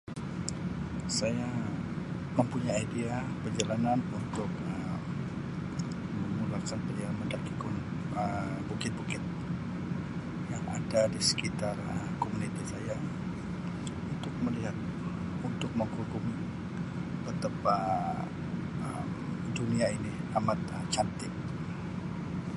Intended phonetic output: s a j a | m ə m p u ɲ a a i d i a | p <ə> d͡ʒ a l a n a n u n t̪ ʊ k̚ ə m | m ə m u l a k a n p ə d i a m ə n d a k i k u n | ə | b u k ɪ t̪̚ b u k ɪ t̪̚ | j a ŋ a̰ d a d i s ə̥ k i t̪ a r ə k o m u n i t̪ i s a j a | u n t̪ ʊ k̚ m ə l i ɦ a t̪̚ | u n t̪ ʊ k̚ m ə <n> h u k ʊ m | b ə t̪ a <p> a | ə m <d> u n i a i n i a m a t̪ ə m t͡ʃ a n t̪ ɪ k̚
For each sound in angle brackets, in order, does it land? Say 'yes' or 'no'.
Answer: yes, no, yes, yes

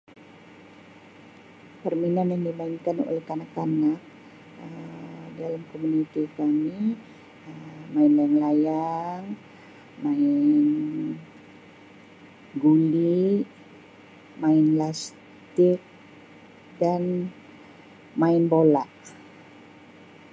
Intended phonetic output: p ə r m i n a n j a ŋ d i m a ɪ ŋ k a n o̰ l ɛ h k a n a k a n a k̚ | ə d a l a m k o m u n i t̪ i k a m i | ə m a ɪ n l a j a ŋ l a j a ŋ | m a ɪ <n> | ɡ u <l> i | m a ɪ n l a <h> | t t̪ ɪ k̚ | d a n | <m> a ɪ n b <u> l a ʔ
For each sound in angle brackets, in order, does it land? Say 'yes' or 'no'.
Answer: yes, yes, no, yes, no

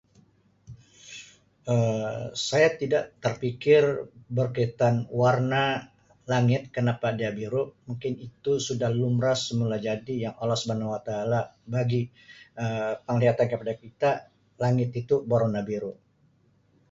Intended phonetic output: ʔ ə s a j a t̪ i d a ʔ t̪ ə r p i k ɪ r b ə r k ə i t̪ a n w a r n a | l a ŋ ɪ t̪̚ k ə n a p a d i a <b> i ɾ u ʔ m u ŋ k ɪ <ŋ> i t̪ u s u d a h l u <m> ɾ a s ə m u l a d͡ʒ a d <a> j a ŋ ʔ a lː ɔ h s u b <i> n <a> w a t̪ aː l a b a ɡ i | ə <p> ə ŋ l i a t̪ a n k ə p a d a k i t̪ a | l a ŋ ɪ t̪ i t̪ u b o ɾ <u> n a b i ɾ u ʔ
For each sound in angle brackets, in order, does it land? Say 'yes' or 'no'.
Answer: yes, no, yes, no, no, yes, yes, no

